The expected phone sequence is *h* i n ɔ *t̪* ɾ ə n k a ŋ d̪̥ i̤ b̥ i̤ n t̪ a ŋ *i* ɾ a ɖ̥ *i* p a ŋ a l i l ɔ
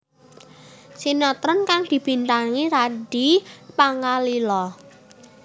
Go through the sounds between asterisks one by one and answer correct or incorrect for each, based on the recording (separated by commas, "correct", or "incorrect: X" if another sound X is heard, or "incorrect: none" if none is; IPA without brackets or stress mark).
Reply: incorrect: s, correct, correct, correct